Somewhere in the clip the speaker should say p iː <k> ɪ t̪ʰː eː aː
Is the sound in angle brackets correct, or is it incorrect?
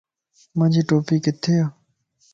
correct